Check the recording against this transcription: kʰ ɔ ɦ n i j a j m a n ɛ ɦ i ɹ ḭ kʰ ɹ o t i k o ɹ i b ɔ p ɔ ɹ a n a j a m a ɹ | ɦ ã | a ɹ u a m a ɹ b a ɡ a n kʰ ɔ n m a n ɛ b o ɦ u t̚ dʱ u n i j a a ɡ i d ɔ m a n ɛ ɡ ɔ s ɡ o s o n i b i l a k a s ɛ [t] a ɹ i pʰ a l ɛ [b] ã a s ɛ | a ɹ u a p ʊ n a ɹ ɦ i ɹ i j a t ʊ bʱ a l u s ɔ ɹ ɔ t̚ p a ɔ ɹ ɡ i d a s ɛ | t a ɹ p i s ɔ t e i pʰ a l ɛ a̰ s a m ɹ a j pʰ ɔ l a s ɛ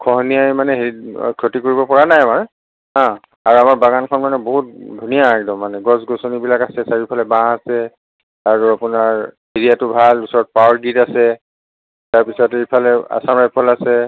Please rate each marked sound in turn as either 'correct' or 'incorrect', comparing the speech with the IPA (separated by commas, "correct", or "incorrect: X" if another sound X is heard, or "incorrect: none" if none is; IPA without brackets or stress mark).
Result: incorrect: s, correct